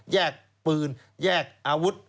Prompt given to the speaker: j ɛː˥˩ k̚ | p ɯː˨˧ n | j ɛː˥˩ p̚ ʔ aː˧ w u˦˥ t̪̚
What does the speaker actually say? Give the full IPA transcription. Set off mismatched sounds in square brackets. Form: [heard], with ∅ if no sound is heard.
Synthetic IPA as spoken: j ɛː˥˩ k̚ | p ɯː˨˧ n | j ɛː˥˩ [k̚] ʔ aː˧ w u˦˥ t̪̚